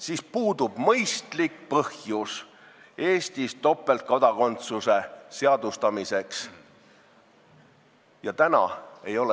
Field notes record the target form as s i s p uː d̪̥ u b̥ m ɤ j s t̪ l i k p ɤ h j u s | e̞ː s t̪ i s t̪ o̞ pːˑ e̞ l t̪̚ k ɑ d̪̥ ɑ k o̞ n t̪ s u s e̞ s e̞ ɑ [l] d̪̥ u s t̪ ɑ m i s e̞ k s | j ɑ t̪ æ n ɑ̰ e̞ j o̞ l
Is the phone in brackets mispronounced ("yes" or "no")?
yes